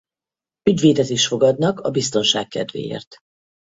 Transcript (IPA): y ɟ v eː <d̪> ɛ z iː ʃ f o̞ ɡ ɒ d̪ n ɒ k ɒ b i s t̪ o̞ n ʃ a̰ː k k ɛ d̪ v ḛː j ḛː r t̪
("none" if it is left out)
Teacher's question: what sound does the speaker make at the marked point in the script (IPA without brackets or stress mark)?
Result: d̪